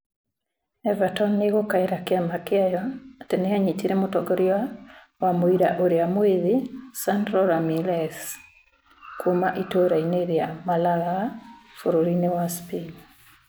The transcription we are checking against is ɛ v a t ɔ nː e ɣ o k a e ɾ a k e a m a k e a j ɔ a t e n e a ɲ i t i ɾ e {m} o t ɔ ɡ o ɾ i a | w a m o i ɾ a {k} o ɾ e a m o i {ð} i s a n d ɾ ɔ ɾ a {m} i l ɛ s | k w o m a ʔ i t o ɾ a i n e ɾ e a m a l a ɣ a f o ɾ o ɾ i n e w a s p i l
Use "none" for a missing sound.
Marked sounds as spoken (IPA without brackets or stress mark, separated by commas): m, ʔ, ð, m